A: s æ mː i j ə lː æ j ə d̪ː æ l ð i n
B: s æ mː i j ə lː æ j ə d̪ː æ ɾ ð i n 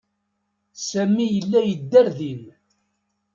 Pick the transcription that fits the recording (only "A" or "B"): B